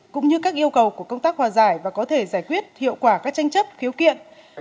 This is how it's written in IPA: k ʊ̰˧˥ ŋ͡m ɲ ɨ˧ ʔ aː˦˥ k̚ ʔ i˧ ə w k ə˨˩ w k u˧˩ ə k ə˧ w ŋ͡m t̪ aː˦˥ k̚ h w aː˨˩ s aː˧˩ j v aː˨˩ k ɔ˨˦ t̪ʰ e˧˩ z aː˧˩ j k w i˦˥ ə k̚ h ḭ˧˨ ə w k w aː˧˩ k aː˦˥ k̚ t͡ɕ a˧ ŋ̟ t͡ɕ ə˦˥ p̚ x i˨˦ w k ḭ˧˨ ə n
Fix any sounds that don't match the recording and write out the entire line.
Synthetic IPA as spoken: k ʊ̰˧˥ ŋ͡m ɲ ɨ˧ k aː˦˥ k̚ ʔ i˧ ə w k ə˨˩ w k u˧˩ ə k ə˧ w ŋ͡m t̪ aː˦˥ k̚ h w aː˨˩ z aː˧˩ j v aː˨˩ k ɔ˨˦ t̪ʰ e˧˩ z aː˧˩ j k w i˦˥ ə t̚ h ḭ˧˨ ə w k w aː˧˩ k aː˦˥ k̚ t͡ɕ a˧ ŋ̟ t͡ɕ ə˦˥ p̚ x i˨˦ w k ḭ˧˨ ə n